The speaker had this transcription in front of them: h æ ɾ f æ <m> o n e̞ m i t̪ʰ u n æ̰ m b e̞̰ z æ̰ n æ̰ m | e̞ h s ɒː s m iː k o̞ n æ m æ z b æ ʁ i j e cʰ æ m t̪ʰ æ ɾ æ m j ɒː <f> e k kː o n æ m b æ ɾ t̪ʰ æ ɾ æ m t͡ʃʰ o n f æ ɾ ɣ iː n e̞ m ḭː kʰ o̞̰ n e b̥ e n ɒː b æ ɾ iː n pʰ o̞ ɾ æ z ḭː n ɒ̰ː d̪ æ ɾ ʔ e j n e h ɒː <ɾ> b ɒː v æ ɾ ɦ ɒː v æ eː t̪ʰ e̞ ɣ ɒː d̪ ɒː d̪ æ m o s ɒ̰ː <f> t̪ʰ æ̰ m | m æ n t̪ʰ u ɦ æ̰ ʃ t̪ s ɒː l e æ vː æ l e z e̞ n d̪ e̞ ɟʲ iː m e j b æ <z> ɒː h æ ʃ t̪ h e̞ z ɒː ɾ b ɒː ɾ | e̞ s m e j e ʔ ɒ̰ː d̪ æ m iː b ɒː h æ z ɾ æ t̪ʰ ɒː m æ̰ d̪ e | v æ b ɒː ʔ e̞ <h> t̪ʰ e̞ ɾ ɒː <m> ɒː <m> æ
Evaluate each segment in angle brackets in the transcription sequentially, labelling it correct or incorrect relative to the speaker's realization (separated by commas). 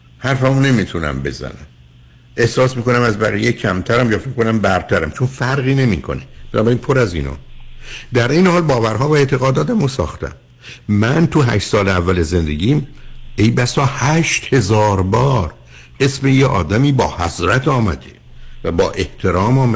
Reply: correct, correct, incorrect, incorrect, incorrect, correct, correct, correct